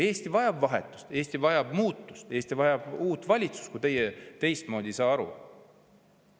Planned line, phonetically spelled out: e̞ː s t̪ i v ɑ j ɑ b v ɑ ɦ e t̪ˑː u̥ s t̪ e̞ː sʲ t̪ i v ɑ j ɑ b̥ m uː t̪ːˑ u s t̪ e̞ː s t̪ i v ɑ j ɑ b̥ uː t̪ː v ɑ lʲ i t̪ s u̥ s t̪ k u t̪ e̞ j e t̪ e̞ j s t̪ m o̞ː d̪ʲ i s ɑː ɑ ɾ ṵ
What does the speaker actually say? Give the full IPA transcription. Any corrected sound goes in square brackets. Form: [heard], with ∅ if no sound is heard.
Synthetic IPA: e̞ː s t̪ i v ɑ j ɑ b v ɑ ɦ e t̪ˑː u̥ s t̪ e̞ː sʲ t̪ i v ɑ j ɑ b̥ m uː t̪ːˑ u s t̪ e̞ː s t̪ i v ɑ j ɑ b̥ uː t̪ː v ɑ lʲ i t̪ s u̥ s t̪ k u t̪ e̞ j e t̪ e̞ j s t̪ m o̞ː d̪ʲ i s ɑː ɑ ɾ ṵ